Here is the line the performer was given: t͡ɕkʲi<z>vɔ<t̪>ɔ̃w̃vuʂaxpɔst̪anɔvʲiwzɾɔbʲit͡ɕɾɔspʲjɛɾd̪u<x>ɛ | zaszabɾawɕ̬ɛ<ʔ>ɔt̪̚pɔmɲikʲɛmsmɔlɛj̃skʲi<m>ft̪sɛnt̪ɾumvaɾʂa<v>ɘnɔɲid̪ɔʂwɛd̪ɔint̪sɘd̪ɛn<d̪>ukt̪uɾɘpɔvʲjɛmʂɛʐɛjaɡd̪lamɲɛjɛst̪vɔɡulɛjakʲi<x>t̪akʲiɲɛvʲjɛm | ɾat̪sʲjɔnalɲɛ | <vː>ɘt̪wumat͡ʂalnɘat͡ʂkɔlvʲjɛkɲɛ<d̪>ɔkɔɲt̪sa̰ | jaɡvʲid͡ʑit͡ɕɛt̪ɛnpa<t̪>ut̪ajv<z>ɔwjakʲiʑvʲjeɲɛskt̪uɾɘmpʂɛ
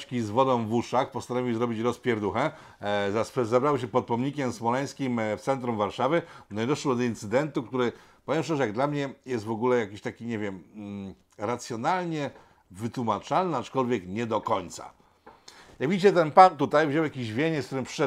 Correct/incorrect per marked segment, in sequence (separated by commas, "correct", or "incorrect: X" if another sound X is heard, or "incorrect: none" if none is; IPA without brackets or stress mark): correct, incorrect: d̪, correct, incorrect: p, correct, correct, incorrect: t̪, incorrect: ɕ, incorrect: v, correct, correct, incorrect: ʑ